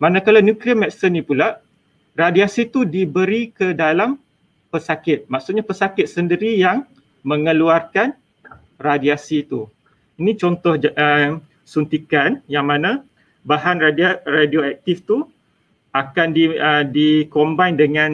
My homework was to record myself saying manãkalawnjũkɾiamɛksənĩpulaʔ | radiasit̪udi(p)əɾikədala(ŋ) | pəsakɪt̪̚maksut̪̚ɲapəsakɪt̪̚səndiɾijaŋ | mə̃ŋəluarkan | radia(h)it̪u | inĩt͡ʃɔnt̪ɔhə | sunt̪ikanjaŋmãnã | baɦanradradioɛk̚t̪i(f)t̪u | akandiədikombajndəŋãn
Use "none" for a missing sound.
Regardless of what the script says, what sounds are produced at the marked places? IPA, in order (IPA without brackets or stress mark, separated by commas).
b, m, s, f